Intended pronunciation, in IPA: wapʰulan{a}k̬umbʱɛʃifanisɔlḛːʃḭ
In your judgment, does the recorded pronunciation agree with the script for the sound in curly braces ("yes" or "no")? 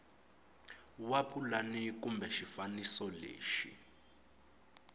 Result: no